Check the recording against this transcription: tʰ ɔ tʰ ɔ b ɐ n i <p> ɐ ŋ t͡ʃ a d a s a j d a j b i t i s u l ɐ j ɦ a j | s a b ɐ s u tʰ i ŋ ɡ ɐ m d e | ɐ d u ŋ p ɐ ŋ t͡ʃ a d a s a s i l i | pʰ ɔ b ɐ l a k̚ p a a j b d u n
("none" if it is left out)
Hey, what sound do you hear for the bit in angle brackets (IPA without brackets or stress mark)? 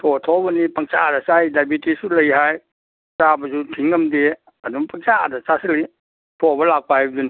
p